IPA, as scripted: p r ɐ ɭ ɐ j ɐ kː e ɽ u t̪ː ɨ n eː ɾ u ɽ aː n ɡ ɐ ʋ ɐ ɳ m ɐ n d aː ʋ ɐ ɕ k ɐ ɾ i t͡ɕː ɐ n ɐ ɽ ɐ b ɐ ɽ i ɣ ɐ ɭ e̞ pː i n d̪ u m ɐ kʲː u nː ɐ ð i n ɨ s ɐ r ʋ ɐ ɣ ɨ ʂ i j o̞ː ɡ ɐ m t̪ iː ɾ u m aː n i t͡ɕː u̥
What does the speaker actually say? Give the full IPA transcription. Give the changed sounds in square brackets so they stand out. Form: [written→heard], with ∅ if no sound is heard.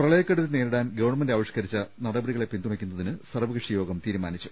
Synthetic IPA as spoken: p r ɐ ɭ ɐ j ɐ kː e ɽ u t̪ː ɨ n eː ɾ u ɽ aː n ɡ ɐ ʋ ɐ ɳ m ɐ n d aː ʋ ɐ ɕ k ɐ ɾ i t͡ɕː ɐ n ɐ ɽ ɐ b ɐ ɽ i ɣ ɐ ɭ e̞ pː i n d̪ u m ɐ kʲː u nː ɐ ð i n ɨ s ɐ r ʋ ɐ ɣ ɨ ʂ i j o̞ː ɡ ɐ m t̪ iː ɾ u m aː n i t͡ɕː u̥